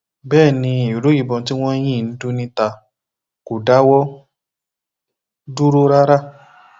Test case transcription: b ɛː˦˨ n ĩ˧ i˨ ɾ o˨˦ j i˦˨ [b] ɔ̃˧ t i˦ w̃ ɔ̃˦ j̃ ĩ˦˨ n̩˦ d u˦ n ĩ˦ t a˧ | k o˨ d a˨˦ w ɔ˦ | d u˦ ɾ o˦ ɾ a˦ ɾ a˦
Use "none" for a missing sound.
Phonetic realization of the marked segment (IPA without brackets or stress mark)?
b